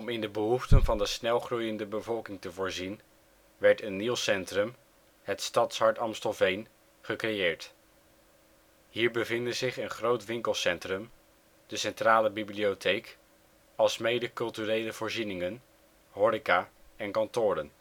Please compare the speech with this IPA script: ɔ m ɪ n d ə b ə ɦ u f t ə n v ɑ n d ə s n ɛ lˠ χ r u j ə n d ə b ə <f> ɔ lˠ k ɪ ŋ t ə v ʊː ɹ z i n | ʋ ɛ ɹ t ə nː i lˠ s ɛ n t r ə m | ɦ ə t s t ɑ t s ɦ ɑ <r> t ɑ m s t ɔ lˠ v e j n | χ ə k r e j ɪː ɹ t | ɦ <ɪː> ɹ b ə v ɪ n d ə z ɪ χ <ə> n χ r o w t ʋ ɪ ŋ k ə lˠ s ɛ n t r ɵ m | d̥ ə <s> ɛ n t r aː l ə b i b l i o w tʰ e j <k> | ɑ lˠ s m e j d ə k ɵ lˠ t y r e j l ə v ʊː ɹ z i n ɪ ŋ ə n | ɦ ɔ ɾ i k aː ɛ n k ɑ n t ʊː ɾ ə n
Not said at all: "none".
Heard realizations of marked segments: v, ɹ, iː, ə, s, k

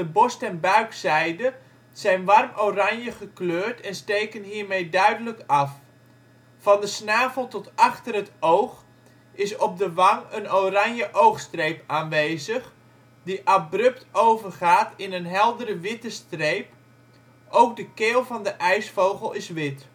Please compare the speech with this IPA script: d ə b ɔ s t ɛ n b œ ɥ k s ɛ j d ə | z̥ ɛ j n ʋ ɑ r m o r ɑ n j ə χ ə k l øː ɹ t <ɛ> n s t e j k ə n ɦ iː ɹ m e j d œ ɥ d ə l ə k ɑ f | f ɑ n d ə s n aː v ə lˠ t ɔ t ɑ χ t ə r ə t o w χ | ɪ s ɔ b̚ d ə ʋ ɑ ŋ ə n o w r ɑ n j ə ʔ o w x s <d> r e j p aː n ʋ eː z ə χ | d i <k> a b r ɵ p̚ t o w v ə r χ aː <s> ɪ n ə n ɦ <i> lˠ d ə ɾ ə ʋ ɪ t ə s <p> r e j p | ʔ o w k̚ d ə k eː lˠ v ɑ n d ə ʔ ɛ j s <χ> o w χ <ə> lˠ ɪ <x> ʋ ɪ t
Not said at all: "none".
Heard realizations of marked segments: ɛ, t, ʔ, t, ɛ, t, f, ə, s

